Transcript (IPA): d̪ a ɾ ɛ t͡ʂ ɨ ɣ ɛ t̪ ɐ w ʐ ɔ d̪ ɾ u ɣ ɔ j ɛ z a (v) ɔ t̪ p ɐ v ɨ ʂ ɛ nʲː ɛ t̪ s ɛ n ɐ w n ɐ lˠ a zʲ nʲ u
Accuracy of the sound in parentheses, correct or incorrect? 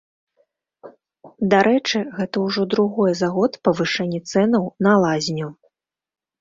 incorrect